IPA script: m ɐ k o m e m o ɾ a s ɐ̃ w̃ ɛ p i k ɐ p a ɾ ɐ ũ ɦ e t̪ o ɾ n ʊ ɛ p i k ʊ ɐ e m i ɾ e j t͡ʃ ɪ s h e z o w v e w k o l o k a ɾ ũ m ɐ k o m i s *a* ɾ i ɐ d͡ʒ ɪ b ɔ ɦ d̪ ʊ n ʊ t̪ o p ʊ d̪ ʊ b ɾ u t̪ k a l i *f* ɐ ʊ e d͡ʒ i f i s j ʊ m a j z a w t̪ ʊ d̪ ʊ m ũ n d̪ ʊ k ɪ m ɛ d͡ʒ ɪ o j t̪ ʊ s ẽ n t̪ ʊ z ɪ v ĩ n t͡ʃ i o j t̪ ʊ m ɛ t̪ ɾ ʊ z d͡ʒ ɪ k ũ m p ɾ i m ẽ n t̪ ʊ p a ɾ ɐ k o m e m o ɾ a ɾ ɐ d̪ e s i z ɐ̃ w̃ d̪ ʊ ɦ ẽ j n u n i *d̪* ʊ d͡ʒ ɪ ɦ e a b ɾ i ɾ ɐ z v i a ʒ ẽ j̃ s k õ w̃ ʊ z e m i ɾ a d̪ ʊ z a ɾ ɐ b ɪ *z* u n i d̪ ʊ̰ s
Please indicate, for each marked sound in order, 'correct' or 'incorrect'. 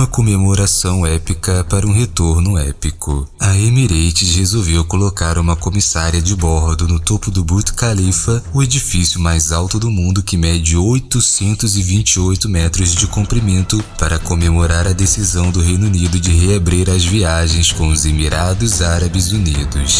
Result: correct, correct, correct, correct

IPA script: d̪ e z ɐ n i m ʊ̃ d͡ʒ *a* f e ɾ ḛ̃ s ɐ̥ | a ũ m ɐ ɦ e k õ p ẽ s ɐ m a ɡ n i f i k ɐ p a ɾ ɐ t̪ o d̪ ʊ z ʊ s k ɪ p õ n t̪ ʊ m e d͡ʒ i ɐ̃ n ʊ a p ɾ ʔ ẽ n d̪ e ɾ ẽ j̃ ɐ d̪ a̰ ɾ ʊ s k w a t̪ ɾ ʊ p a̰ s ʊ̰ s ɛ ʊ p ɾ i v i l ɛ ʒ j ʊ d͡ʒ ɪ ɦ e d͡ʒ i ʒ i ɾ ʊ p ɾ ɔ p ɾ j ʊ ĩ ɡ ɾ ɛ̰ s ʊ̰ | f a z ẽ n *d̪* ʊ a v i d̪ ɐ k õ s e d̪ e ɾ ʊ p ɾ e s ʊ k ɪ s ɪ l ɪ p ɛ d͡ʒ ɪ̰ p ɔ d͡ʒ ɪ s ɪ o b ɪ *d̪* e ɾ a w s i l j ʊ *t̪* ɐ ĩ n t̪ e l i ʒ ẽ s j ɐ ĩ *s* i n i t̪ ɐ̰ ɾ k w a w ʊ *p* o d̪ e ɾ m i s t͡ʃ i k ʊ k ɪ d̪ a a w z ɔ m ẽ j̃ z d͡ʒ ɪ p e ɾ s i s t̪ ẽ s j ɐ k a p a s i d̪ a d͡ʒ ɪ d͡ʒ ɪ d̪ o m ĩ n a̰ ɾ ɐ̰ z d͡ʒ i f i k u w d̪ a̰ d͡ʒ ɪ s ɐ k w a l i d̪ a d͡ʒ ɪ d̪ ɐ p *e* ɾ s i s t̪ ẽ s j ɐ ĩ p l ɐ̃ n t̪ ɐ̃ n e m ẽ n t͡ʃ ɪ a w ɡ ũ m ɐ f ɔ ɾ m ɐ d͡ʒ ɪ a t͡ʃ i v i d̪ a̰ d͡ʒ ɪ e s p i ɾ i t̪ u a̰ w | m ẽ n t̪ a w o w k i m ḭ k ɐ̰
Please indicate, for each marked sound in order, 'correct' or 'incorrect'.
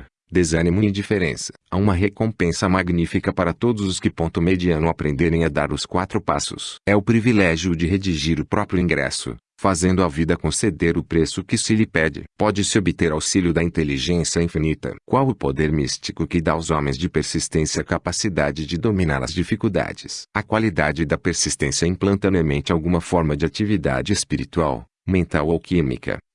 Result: incorrect: i, correct, incorrect: t̪, incorrect: d̪, incorrect: f, correct, correct

